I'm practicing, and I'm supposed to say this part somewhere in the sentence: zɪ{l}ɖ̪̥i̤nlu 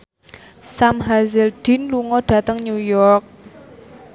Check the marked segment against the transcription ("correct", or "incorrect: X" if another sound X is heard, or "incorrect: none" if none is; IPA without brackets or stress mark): correct